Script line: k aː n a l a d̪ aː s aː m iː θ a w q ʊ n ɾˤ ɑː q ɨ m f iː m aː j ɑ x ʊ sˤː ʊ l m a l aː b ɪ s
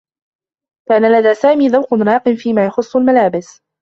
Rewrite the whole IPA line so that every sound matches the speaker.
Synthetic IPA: k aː n a l a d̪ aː s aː m iː ð a w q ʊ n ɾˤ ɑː q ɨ m f iː m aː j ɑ x ʊ sˤː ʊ l m a l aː b ɪ s